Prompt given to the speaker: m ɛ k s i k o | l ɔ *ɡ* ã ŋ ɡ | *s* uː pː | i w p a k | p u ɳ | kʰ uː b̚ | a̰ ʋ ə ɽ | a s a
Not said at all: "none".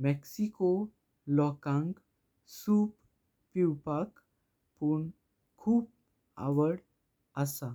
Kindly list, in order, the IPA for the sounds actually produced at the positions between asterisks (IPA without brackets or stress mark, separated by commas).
k, s